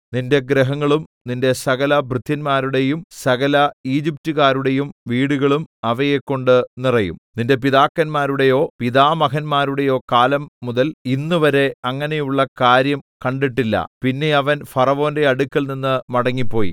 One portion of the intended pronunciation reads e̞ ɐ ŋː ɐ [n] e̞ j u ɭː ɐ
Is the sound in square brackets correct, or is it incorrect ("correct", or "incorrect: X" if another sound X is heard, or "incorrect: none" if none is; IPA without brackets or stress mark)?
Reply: correct